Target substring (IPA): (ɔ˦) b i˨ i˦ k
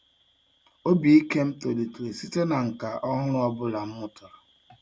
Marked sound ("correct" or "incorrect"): incorrect